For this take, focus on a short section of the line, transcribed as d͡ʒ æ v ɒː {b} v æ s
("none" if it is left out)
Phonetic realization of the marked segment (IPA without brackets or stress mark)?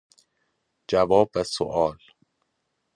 b